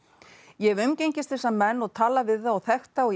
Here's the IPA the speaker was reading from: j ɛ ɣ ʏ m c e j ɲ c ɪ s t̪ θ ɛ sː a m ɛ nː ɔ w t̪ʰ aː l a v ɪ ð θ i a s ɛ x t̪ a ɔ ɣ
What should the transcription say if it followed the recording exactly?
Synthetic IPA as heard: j ɛ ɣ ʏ m c e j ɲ c ɪ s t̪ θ ɛ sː a m ɛ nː ɔ ɣ t̪ʰ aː l a v ɪ ð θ a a θ ɛ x t̪ a ɔ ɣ